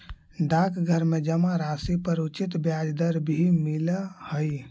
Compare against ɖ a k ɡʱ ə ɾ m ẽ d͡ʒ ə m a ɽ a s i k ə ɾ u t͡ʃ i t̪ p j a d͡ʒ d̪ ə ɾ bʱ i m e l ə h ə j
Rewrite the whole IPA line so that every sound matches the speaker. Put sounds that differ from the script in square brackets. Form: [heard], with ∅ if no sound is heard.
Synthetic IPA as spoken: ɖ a k ɡʱ ə ɾ m [e] d͡ʒ ə m a [ɾ] a s i [p] ə ɾ u t͡ʃ i t̪ [b] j a d͡ʒ d̪ ə ɾ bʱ i m [i] l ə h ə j